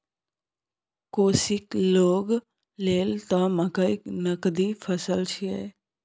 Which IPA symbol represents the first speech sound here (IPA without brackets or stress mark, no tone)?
k